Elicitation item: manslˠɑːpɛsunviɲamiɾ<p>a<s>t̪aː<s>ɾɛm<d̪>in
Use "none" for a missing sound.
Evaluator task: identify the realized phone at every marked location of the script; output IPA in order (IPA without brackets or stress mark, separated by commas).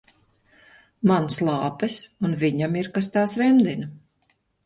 k, s, s, d̪